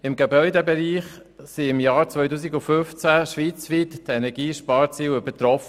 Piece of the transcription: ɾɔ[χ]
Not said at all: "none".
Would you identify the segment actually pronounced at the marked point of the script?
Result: f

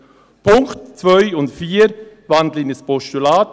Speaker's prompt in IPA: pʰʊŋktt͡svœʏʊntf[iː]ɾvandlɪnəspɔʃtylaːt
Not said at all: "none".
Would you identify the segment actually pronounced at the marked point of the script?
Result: iː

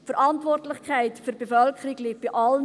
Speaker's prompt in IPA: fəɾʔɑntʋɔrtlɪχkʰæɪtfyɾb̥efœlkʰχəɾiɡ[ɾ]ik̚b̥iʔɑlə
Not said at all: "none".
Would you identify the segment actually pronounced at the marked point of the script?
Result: l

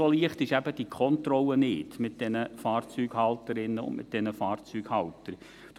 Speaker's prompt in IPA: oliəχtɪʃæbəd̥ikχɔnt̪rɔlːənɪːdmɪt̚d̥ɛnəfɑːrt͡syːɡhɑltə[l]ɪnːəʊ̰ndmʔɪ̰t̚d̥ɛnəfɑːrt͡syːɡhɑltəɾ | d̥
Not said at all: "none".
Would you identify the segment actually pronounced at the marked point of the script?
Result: ɾ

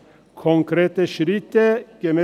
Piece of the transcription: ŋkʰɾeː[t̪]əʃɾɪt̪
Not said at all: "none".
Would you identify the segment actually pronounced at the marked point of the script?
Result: t̪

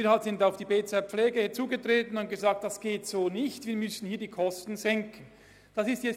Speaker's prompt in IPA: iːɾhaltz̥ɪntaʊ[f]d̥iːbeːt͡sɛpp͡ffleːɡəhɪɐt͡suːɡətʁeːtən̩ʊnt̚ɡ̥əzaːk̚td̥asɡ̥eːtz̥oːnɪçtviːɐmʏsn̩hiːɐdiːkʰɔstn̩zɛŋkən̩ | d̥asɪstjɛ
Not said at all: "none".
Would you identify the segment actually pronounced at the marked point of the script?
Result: f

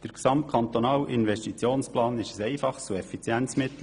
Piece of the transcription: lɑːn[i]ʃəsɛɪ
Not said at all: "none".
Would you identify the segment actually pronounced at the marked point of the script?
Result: ɪ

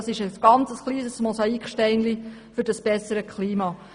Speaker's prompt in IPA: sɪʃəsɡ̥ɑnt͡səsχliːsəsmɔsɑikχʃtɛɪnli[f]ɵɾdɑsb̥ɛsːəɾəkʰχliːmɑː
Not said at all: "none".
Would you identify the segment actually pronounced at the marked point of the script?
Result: f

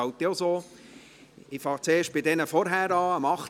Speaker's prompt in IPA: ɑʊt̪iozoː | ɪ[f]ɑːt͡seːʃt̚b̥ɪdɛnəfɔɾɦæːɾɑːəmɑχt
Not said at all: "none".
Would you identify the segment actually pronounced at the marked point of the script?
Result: f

